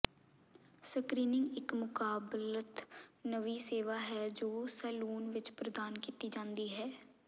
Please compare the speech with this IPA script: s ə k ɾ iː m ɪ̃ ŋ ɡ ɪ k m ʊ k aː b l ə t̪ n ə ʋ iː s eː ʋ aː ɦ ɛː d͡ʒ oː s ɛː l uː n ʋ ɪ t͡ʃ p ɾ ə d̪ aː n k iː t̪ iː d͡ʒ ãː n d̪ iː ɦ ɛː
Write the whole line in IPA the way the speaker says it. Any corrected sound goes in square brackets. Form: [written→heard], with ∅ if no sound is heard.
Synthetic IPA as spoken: s ə k ɾ iː [m→n] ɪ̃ ŋ ɡ ɪ k m ʊ k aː b l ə t̪ n ə ʋ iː s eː ʋ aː ɦ ɛː d͡ʒ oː s ɛː l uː n ʋ ɪ t͡ʃ p ɾ ə d̪ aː n k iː t̪ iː d͡ʒ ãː n d̪ iː ɦ ɛː